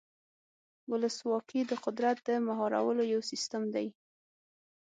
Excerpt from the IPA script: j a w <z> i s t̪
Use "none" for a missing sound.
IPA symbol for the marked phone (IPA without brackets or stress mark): s